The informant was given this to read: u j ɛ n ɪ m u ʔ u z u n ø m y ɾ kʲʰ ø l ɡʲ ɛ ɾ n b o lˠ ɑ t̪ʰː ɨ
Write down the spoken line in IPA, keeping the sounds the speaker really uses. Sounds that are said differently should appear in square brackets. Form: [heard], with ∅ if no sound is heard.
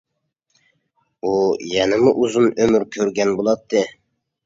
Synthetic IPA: u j ɛ n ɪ m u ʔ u z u n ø m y ɾ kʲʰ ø [ɾ] ɡʲ ɛ [∅] n b o lˠ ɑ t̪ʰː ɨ

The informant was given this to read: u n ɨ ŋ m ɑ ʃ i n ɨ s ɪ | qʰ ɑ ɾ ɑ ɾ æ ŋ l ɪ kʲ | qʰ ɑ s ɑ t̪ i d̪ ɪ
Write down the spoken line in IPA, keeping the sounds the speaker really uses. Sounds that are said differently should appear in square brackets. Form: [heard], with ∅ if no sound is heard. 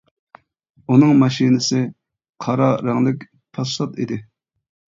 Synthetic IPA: u n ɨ ŋ m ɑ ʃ i n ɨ s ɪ | qʰ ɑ ɾ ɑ ɾ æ ŋ l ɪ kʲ | [pʰ] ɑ s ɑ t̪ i d̪ ɪ

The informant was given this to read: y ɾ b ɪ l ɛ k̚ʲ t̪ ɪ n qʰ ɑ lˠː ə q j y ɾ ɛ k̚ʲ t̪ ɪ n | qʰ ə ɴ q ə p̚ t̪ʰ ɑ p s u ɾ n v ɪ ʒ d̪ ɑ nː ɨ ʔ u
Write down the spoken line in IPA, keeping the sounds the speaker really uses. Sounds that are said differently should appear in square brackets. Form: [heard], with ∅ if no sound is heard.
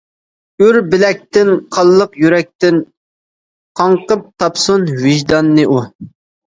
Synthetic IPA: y ɾ b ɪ l ɛ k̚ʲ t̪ ɪ n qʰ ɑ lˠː ə q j y ɾ ɛ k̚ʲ t̪ ɪ n | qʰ [ɑ] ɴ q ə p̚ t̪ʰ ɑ p s u [∅] n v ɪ ʒ d̪ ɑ nː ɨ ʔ u

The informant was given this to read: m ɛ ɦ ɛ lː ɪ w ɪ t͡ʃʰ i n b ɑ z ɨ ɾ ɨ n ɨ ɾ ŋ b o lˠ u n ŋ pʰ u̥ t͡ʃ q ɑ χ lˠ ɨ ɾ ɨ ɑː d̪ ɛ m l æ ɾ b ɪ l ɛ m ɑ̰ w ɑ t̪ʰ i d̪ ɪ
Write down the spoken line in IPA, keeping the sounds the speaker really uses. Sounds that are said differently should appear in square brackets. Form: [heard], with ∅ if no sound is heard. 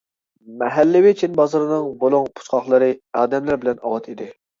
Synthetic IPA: m ɛ ɦ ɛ lː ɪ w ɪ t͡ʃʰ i n b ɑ z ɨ ɾ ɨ n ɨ [∅] ŋ b o lˠ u [∅] ŋ pʰ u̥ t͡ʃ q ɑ χ lˠ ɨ ɾ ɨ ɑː d̪ ɛ m l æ ɾ b ɪ l ɛ [n] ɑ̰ w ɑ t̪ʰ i d̪ ɪ

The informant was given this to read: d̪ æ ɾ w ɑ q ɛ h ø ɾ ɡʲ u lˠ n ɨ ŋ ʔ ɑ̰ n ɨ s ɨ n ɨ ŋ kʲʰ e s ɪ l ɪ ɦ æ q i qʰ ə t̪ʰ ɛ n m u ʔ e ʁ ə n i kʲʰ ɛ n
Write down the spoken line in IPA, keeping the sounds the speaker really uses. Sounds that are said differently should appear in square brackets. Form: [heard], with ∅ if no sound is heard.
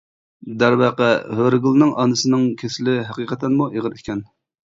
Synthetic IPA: d̪ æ ɾ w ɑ q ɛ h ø ɾ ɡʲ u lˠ n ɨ ŋ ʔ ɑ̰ n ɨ s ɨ n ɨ ŋ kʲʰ e s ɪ l ɪ ɦ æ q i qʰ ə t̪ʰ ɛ n m u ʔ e ʁ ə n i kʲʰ ɛ n

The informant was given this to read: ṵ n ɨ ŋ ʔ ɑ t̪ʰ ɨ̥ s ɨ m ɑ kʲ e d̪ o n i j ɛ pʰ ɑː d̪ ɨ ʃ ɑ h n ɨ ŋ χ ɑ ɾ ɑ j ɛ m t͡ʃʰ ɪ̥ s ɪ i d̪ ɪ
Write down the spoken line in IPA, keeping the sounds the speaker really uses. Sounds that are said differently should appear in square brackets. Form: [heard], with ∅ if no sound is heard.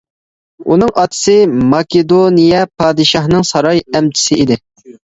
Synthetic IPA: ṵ n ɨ ŋ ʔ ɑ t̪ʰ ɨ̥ s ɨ m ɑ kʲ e d̪ o n i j ɛ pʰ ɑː d̪ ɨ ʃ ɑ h n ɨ ŋ [s] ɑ ɾ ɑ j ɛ m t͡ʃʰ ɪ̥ s ɪ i d̪ ɪ

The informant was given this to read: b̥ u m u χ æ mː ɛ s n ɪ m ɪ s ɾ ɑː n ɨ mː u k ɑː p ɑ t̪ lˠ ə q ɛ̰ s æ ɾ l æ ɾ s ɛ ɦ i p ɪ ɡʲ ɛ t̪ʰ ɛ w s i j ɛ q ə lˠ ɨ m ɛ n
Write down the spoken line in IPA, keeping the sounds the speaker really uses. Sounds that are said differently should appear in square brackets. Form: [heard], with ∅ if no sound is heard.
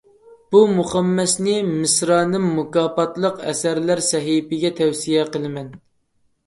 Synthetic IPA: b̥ u m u χ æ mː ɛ s n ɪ m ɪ s ɾ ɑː n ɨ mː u k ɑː p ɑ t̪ lˠ ə q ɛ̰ s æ ɾ l æ ɾ s ɛ ɦ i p ɪ ɡʲ ɛ t̪ʰ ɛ w s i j ɛ q ə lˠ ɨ m ɛ n

